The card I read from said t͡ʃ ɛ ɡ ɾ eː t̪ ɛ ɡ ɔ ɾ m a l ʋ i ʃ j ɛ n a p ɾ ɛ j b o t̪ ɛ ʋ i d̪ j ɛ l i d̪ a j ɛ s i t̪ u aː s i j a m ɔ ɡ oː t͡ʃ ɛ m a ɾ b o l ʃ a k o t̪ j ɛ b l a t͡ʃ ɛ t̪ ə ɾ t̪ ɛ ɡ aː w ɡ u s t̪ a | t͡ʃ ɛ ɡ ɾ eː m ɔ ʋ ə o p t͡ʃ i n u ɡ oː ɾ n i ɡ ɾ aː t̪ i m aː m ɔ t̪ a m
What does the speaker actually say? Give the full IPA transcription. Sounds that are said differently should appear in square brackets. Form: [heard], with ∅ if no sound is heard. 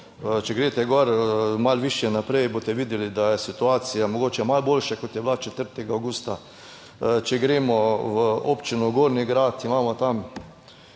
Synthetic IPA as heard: t͡ʃ ɛ ɡ ɾ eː t̪ ɛ ɡ ɔ ɾ m a l ʋ i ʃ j ɛ n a p ɾ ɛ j b o t̪ ɛ ʋ i d̪ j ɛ l i d̪ a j ɛ s i t̪ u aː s i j a m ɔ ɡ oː t͡ʃ ɛ m a [l] b o l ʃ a k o t̪ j ɛ b l a t͡ʃ ɛ t̪ ə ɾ t̪ ɛ ɡ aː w ɡ u s t̪ a | t͡ʃ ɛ ɡ ɾ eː m ɔ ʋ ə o p t͡ʃ i n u ɡ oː ɾ n i ɡ ɾ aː t̪ i m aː m ɔ t̪ a m

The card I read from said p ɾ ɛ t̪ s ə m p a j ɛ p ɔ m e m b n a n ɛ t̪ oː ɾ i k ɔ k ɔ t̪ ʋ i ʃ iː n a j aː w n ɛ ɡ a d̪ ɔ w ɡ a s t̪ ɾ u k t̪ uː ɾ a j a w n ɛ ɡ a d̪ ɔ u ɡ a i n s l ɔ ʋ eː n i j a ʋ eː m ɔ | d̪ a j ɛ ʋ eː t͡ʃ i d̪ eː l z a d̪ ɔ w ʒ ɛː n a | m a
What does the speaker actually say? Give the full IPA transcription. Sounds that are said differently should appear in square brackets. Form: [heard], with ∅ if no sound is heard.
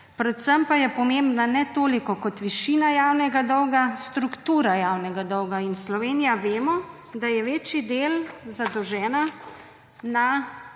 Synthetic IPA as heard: p ɾ ɛ t̪ s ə m p a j ɛ p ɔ m e m b n a n ɛ t̪ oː [l] i k ɔ k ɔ t̪ ʋ i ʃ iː n a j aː w n ɛ ɡ a d̪ ɔ w ɡ a s t̪ ɾ u k t̪ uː ɾ a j a w n ɛ ɡ a d̪ ɔ [w] ɡ a i n s l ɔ ʋ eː n i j a ʋ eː m ɔ | d̪ a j ɛ ʋ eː t͡ʃ i d̪ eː l z a d̪ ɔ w ʒ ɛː n a | [n] a

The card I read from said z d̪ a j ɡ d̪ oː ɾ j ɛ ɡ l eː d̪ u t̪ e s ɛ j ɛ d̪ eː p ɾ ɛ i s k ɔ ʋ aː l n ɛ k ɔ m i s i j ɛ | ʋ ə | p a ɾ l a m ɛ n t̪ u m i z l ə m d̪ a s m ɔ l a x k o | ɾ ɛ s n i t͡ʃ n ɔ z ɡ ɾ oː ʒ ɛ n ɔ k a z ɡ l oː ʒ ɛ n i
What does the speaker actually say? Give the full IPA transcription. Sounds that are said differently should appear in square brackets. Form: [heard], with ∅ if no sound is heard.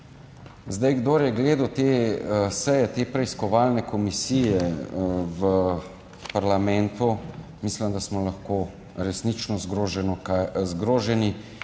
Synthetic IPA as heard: z d̪ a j ɡ d̪ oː ɾ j ɛ ɡ l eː d̪ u t̪ e s ɛ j ɛ [t̪] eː p ɾ ɛ i s k ɔ ʋ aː l n ɛ k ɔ m i s i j ɛ | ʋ ə | p a ɾ l a m ɛ n t̪ u m i [s] l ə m d̪ a s m ɔ l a x k o | ɾ ɛ s n i t͡ʃ n ɔ z ɡ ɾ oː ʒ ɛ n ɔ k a z ɡ [ɾ] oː ʒ ɛ n i

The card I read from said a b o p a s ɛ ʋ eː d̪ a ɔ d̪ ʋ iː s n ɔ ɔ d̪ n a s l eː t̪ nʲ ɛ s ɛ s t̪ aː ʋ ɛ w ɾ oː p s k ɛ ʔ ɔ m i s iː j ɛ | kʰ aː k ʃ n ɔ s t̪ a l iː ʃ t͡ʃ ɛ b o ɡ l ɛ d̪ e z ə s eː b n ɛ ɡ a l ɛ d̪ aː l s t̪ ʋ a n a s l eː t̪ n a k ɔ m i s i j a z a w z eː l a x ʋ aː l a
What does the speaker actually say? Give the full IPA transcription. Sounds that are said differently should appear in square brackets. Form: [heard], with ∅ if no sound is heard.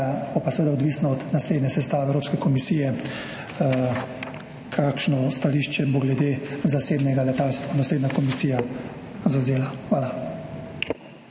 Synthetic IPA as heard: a b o p a s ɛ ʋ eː d̪ a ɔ d̪ ʋ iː s n ɔ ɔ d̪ n a s l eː [d̪] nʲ ɛ s ɛ s t̪ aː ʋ ɛ w ɾ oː p s k ɛ [k] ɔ m i s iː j ɛ | kʰ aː k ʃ n ɔ s t̪ a l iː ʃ t͡ʃ ɛ b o ɡ l ɛ d̪ e z [a] s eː b n ɛ ɡ a l ɛ [t̪] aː l s t̪ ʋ a n a s l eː [d̪] n a k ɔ m i s i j a z a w z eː l a x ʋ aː l a

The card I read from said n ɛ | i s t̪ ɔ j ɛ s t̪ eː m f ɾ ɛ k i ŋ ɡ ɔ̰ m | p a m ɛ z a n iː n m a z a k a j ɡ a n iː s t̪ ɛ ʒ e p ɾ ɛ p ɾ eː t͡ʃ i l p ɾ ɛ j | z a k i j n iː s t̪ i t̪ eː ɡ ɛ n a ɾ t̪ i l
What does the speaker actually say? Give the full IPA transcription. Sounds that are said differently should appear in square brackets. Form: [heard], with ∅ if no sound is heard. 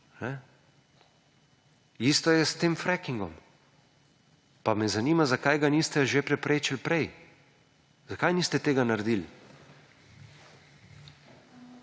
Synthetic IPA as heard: n ɛ | i s t̪ ɔ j ɛ s t̪ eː m f ɾ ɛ k i ŋ ɡ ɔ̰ m | p a m ɛ z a n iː [∅] m a z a k a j ɡ a n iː s t̪ ɛ ʒ e p ɾ ɛ p ɾ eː t͡ʃ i l p ɾ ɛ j | z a k [a] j n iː s t̪ [ɛ] t̪ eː ɡ [a] n a ɾ [d̪] i l

